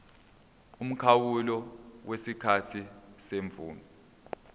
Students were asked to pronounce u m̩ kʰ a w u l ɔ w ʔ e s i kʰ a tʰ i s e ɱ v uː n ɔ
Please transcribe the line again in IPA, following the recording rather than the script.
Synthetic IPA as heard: u m̩ kʰ a w u l ɔ w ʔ e s i kʰ a tʰ i s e ɱ v uː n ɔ